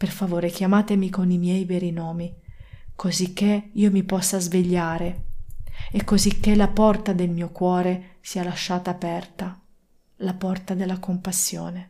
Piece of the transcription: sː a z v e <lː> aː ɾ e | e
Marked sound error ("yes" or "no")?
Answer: yes